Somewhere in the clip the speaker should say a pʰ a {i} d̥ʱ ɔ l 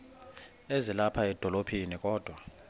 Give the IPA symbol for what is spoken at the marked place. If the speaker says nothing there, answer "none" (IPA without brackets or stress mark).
ɛ